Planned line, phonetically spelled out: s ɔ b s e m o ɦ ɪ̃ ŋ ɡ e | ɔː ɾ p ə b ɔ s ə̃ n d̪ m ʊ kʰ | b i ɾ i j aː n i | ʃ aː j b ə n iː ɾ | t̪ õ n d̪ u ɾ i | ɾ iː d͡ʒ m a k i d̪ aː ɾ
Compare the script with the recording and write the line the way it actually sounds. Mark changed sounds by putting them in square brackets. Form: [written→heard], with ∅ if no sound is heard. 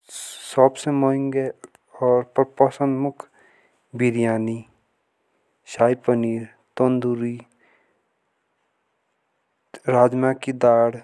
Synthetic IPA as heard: s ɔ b s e m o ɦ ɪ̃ ŋ ɡ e | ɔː ɾ p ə [b→p] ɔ s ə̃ n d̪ m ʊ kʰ | b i ɾ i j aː n i | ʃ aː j [b→p] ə n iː ɾ | t̪ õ n d̪ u ɾ i | ɾ [iː→aː] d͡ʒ m a k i d̪ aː [ɾ→ɽ]